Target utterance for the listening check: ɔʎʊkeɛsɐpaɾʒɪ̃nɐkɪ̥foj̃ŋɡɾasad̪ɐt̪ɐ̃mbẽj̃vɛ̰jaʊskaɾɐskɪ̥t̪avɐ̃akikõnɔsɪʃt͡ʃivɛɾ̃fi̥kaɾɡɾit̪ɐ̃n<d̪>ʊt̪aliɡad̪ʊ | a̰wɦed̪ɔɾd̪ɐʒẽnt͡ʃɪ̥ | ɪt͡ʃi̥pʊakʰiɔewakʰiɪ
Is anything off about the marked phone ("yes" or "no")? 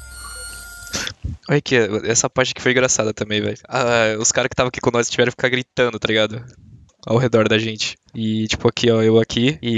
no